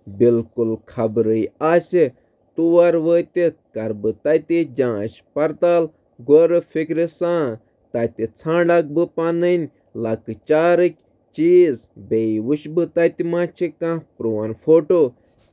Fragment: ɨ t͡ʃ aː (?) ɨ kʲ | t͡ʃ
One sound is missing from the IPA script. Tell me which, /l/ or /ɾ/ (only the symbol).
ɾ